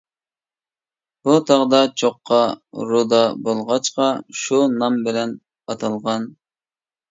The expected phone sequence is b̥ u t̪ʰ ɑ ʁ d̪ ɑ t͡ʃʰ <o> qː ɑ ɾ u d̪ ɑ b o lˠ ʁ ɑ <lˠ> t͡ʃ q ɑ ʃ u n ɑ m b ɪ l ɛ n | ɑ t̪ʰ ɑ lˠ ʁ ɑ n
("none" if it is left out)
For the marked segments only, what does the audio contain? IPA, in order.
o, none

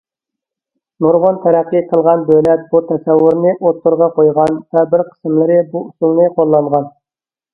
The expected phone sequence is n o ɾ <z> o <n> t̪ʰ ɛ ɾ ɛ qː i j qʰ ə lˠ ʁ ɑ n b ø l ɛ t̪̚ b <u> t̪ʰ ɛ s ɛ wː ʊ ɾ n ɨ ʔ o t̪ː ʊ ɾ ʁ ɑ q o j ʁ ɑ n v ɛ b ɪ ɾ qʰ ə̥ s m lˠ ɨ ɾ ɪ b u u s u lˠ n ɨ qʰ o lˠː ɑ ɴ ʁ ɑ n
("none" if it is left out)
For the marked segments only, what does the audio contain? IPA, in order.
ʁ, n, u

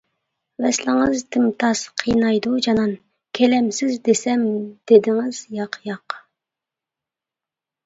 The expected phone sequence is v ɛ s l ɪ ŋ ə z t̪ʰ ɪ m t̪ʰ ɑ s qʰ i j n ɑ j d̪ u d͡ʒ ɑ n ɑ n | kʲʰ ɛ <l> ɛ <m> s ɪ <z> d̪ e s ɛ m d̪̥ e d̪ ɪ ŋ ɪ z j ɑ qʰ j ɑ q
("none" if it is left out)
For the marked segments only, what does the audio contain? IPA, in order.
l, m, z

